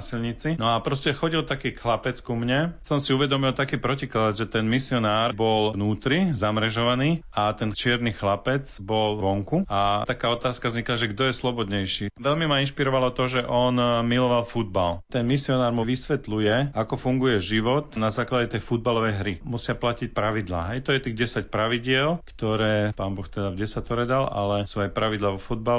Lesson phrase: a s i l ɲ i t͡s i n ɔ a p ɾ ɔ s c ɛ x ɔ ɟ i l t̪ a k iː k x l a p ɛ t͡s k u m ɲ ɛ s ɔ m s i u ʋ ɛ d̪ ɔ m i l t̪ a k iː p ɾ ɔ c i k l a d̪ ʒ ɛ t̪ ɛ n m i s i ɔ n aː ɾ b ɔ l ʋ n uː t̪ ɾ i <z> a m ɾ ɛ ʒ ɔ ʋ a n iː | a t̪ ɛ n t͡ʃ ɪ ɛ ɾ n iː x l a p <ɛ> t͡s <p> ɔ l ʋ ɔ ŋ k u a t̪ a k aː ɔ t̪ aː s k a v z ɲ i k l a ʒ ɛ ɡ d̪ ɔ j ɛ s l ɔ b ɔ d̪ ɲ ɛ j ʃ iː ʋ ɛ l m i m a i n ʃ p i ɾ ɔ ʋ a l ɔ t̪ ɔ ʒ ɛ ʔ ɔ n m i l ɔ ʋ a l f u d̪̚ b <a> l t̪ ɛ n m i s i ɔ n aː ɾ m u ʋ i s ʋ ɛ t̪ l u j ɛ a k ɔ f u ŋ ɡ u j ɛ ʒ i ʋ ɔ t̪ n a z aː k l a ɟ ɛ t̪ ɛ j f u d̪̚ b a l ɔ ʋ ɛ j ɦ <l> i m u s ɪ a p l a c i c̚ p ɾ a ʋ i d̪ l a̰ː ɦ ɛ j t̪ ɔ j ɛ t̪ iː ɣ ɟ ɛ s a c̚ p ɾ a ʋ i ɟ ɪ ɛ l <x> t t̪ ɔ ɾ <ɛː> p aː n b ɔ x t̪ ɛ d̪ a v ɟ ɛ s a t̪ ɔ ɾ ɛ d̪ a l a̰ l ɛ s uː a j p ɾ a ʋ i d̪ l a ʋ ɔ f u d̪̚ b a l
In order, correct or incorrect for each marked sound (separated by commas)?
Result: correct, correct, incorrect, correct, incorrect, incorrect, correct